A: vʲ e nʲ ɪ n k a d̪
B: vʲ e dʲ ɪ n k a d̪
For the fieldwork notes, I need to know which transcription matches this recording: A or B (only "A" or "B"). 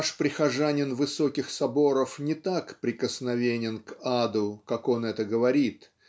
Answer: A